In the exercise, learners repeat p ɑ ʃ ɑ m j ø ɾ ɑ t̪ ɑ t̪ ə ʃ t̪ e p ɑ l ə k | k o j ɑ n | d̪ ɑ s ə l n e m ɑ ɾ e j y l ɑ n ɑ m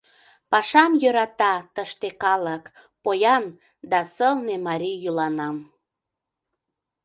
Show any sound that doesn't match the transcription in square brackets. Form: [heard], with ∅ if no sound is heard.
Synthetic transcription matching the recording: p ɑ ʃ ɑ m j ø ɾ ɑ t̪ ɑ t̪ ə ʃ t̪ e [k] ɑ l ə k | [p] o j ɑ n | d̪ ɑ s ə l n e m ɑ ɾ [i] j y l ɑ n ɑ m